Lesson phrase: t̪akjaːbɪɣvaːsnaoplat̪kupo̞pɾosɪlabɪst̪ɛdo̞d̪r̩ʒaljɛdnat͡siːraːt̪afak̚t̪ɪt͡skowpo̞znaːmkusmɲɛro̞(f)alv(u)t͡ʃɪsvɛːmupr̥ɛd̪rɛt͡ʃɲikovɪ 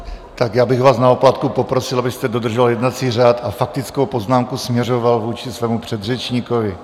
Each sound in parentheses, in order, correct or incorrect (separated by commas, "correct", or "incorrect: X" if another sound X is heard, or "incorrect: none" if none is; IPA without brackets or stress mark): incorrect: v, incorrect: uː